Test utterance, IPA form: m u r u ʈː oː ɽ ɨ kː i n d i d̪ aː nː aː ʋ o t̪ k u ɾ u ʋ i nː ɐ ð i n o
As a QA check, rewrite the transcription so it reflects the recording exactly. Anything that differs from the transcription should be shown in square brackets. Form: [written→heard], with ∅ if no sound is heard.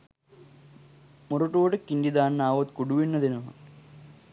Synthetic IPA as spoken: m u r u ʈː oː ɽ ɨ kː i n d i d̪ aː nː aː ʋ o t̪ k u [ɾ→ɽ] u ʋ i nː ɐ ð i n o